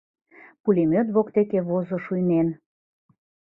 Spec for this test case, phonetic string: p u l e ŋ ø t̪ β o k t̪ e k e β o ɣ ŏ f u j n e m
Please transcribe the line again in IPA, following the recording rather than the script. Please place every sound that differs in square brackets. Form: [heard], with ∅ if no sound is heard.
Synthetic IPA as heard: p u l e [m] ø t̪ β o k t̪ e k e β o [z] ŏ [ʃ] u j n e [n]